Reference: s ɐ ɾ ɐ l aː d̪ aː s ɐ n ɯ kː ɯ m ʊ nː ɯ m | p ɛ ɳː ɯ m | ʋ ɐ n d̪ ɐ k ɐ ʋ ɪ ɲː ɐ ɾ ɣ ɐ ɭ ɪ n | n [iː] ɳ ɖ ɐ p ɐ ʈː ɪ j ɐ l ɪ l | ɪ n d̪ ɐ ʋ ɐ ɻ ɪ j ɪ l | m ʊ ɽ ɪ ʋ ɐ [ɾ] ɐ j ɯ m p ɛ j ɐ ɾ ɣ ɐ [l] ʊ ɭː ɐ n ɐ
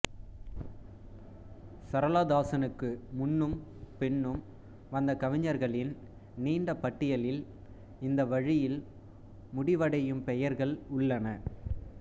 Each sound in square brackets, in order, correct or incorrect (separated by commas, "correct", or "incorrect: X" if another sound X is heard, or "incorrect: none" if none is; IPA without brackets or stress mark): correct, incorrect: ɽ, incorrect: ɭ